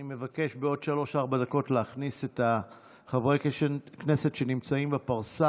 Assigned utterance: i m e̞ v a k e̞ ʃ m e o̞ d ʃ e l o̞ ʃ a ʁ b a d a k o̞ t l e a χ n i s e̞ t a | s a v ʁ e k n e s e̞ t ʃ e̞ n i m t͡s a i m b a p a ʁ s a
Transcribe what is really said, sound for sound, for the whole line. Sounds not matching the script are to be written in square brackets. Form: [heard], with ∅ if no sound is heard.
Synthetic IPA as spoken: i m e̞ v a k e̞ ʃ [b] e o̞ d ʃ [a] l o̞ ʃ a ʁ b a d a k o̞ t l e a χ n i s e̞ t a | [χ] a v ʁ e k n e s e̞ t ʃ e̞ n i m t͡s a i m b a p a ʁ s a